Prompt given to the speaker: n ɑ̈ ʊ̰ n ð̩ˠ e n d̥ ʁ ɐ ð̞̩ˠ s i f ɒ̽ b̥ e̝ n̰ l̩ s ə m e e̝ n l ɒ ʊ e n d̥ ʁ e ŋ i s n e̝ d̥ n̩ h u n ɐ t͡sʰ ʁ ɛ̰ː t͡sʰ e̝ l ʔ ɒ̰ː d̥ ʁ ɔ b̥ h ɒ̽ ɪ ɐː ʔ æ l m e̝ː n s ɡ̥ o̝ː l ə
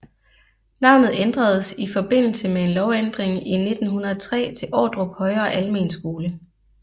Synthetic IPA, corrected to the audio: n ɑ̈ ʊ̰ n ð̩ˠ e n d̥ ʁ ɐ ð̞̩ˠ s i f ɒ̽ b̥ e̝ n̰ l̩ s ə m e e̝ n l ɒ ʊ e n d̥ ʁ e ŋ i n e̝ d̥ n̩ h u n ɐ t͡sʰ ʁ ɛ̰ː t͡sʰ e̝ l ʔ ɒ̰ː d̥ ʁ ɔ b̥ h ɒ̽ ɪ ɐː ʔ æ l m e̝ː n s ɡ̥ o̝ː l ə